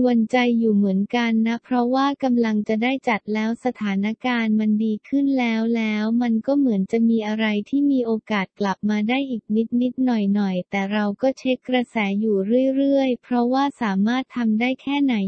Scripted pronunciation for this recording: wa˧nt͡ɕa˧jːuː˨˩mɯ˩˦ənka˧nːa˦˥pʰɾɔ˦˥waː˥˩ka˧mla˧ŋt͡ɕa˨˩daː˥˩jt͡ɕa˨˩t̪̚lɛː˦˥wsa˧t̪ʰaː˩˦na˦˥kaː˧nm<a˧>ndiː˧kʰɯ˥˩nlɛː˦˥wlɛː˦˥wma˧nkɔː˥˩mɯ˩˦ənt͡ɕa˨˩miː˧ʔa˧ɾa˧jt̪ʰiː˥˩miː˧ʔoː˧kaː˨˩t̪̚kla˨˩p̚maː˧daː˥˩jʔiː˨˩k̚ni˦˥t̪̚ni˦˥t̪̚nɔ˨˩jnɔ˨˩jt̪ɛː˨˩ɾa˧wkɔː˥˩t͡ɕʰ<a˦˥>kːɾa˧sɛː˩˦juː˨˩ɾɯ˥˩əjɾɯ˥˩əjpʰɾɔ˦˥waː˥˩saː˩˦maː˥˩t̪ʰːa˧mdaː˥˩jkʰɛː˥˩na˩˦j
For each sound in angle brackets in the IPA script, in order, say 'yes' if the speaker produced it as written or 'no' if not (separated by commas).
yes, no